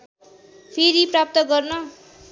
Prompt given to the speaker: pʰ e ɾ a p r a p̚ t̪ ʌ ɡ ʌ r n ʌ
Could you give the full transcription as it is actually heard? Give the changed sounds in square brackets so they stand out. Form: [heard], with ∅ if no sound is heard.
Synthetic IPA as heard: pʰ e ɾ [i] p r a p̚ t̪ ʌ ɡ ʌ r n ʌ